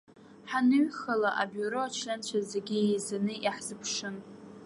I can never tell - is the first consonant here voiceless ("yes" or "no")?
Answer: yes